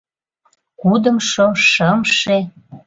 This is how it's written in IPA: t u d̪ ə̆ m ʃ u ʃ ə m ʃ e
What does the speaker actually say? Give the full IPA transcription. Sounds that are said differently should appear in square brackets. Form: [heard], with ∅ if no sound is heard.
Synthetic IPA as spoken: [k] u d̪ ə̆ m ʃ [o] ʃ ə m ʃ e

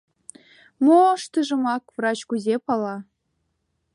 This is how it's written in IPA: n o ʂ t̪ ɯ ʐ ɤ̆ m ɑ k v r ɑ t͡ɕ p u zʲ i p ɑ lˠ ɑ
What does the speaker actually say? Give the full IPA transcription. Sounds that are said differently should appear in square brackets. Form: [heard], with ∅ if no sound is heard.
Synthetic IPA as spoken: [m] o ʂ t̪ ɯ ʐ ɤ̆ m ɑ k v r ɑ t͡ɕ [k] u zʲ [e] p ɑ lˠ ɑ

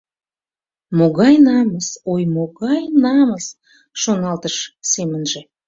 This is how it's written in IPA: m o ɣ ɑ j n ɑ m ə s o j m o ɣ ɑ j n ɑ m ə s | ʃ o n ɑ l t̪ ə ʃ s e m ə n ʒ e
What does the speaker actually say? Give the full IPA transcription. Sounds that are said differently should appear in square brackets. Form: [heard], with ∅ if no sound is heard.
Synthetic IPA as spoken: m o ɣ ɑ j n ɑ m ə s o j m o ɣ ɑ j n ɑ m ə s | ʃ o n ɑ l t̪ ə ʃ s e m ə n ʒ e

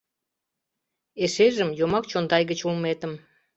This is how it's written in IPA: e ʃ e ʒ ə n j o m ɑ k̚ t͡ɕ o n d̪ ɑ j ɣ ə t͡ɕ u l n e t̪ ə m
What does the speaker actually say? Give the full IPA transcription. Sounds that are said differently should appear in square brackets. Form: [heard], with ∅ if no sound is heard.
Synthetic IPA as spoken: e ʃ e ʒ ə [m] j o m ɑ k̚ t͡ɕ o n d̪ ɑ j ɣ ə t͡ɕ u l [m] e t̪ ə m

